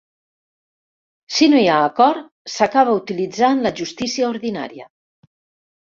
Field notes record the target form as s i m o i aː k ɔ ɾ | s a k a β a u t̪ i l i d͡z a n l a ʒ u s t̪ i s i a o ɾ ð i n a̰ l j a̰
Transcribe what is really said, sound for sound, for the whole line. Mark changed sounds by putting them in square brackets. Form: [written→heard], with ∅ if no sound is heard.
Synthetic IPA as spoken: s i [m→n] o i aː k ɔ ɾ | s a k a β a u t̪ i l i d͡z a n l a ʒ u s t̪ i s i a o ɾ ð i n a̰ [l→ɾ] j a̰